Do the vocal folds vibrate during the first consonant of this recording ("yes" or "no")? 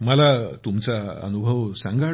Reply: yes